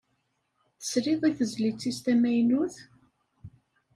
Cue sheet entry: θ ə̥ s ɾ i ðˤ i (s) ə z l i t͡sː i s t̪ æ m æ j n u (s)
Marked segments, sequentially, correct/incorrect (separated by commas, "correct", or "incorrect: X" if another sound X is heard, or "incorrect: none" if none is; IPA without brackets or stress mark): incorrect: θ, incorrect: θ